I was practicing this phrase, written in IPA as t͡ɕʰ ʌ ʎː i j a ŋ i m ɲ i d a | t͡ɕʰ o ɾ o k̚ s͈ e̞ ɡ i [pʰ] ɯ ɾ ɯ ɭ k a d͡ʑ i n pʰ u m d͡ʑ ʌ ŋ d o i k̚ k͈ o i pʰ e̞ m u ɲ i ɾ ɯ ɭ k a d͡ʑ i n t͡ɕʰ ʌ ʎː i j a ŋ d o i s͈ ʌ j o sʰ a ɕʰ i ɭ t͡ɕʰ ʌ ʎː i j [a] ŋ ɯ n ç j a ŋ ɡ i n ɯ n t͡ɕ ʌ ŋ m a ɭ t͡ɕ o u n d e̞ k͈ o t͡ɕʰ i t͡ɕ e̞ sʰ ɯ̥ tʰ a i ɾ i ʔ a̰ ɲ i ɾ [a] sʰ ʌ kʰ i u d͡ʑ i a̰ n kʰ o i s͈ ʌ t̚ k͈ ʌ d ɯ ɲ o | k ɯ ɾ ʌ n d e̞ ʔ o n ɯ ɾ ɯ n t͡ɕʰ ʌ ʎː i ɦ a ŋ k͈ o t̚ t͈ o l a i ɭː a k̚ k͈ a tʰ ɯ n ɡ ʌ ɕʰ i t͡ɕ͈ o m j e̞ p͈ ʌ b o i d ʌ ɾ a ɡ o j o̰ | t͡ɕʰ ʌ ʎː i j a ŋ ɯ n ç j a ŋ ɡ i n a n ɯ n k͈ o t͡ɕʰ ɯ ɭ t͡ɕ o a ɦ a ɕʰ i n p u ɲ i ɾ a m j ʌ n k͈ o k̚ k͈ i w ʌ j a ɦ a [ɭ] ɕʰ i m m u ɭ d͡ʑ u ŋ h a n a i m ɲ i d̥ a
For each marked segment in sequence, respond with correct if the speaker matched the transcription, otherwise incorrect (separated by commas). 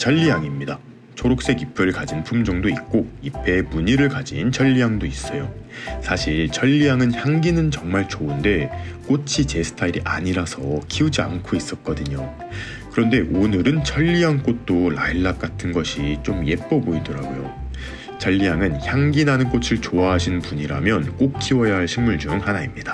correct, correct, correct, correct